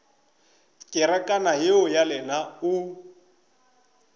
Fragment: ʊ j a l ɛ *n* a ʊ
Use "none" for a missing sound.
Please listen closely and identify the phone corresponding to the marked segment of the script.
n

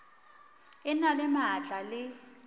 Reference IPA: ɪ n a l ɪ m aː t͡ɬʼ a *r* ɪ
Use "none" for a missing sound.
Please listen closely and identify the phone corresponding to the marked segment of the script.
l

